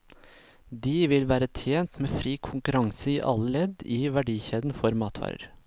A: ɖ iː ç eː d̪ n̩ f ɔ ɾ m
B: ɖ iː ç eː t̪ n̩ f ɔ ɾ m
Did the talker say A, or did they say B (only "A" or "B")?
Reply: A